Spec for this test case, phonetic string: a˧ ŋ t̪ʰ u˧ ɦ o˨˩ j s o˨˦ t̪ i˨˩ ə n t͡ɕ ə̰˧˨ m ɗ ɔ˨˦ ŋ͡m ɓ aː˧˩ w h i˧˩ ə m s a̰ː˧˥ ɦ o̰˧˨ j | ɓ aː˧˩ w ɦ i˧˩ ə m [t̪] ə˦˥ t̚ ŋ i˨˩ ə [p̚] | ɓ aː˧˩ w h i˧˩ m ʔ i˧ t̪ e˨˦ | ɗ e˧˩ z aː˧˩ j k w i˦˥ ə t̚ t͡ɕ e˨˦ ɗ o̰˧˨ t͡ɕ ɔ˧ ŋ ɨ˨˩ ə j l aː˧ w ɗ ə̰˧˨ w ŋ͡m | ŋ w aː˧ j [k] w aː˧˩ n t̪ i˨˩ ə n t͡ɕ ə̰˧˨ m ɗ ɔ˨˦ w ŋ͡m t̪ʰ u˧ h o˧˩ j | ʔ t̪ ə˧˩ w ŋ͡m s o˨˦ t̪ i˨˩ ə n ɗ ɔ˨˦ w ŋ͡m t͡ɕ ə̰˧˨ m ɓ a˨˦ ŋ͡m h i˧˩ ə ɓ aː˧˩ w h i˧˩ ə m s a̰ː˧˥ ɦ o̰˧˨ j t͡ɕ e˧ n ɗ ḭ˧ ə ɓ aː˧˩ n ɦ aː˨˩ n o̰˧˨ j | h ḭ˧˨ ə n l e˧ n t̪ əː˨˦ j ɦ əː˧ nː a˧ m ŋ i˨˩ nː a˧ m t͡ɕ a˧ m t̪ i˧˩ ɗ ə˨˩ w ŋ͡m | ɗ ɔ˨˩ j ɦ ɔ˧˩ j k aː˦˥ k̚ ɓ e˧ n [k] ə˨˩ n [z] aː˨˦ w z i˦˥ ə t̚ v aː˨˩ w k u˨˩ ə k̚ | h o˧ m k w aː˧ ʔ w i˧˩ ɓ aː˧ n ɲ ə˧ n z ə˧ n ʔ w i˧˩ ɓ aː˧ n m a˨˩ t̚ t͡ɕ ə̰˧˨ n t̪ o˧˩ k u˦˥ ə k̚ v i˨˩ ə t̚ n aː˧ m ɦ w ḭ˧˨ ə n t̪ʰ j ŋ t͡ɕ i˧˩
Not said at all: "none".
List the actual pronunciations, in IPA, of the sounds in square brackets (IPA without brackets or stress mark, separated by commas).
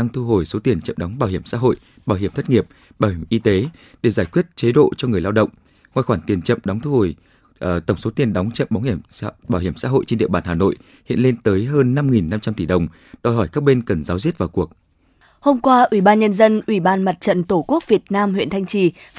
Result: t̪ʰ, p̚, x, k, z